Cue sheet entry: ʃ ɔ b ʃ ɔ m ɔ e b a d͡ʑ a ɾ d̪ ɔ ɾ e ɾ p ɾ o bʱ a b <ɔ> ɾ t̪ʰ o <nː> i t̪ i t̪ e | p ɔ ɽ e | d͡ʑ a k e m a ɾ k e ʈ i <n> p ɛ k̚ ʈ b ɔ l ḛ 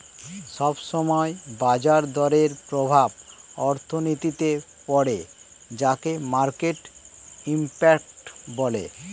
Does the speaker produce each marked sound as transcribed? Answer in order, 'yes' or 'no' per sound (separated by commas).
yes, no, no